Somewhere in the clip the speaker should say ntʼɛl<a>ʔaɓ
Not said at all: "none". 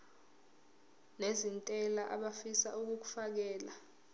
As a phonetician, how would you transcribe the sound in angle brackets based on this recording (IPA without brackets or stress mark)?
a